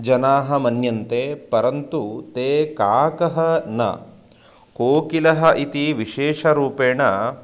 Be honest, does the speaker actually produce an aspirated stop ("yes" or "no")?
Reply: no